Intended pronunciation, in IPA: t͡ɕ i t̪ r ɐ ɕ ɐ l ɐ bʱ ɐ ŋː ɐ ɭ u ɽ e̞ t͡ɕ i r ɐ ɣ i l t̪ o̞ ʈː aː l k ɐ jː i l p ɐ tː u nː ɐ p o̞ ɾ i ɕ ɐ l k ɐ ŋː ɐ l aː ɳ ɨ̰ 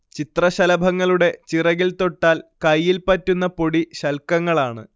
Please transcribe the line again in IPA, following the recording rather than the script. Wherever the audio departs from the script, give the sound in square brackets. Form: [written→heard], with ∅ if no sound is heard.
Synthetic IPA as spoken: t͡ɕ i t̪ r ɐ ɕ ɐ l ɐ bʱ ɐ ŋː ɐ ɭ u ɽ e̞ t͡ɕ i r ɐ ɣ i l t̪ o̞ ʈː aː l k ɐ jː i l p ɐ tː u nː ɐ p o̞ [ɾ→ɽ] i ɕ ɐ l k ɐ ŋː ɐ [l→ɭ] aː ɳ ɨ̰